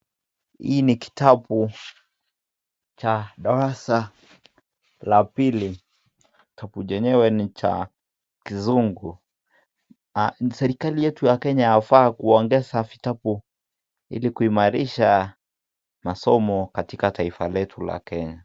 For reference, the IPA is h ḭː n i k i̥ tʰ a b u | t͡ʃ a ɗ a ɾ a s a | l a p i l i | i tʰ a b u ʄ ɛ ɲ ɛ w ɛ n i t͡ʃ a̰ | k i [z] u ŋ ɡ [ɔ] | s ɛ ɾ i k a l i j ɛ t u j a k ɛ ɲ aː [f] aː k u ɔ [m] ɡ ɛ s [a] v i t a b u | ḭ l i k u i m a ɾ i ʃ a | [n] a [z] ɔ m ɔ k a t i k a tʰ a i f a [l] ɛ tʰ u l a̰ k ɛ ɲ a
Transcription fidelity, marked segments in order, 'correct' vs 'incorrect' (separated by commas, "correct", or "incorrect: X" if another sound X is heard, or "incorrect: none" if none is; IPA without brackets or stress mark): correct, incorrect: u, correct, incorrect: ŋ, correct, incorrect: m, incorrect: s, correct